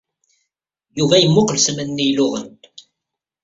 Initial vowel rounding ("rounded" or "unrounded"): rounded